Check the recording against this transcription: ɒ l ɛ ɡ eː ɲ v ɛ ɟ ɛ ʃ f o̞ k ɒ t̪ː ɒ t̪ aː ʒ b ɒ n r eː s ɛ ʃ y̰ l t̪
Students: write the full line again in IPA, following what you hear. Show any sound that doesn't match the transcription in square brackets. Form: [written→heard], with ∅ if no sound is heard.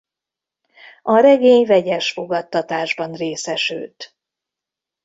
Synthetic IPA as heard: ɒ [l→ɾ] ɛ ɡ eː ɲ v ɛ ɟ ɛ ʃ f o̞ [k→ɡ] ɒ t̪ː ɒ t̪ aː ʒ b ɒ n r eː s ɛ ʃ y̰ l t̪